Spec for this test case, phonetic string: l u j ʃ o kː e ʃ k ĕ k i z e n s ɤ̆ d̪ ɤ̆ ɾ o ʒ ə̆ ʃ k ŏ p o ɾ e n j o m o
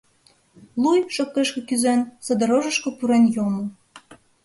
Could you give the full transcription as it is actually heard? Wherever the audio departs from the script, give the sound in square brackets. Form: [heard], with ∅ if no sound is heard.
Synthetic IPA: l u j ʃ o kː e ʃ k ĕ k [y] z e n s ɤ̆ d̪ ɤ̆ ɾ o ʒ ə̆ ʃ k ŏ p [u] ɾ e n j o m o